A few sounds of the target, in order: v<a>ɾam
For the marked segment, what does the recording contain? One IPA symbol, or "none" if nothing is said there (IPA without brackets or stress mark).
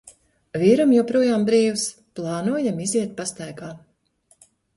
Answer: i